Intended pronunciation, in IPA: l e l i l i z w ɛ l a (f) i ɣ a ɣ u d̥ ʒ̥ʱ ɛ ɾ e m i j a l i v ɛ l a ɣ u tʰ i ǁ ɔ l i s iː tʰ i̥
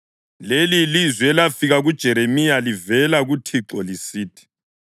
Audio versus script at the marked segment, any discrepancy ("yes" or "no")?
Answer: no